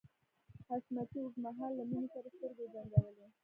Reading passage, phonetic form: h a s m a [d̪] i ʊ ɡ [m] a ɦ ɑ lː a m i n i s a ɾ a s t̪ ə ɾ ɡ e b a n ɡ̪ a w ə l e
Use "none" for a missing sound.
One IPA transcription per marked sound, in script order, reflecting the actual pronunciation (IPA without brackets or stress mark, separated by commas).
t̪, m